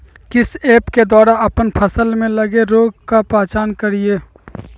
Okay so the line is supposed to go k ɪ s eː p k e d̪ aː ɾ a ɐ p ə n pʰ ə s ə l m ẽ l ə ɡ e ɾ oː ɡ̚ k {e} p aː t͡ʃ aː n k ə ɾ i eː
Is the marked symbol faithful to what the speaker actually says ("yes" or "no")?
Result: no